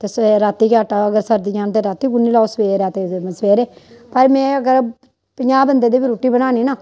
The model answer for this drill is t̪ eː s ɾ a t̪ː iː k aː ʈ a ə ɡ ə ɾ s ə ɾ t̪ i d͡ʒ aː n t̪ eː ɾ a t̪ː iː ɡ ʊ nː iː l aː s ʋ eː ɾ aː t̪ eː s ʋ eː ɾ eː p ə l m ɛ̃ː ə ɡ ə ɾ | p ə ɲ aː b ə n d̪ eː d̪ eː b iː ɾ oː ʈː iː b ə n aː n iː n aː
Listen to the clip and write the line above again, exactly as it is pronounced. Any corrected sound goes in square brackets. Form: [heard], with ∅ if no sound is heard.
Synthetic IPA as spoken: t̪ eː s ɾ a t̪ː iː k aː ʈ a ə ɡ ə ɾ s ə ɾ [d̪] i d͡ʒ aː n t̪ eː ɾ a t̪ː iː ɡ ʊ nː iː l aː s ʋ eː ɾ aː t̪ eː s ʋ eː ɾ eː p ə [ɾ] m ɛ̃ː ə ɡ ə ɾ | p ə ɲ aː b ə n d̪ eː d̪ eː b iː ɾ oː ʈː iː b ə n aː n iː n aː

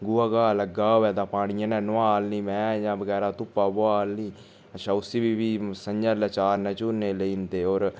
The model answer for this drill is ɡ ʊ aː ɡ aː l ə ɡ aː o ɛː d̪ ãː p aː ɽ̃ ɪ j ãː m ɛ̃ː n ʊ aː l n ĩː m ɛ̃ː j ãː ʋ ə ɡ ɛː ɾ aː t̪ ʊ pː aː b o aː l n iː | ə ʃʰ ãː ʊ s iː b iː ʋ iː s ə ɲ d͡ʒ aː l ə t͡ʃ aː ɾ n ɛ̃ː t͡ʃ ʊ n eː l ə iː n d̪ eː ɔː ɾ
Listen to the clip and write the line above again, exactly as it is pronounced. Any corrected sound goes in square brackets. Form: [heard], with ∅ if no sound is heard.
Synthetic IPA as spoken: ɡ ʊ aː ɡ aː l ə ɡ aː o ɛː d̪ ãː p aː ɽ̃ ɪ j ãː [n] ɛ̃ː n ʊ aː l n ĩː m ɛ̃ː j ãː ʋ ə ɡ ɛː ɾ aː t̪ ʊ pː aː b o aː l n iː | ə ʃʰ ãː ʊ s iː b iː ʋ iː s ə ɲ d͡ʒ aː l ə t͡ʃ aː ɾ n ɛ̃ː t͡ʃ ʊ n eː l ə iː n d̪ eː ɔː ɾ

